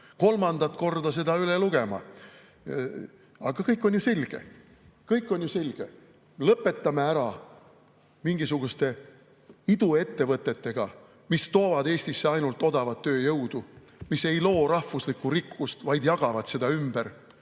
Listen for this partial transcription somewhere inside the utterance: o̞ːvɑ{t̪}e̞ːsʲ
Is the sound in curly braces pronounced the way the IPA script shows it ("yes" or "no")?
no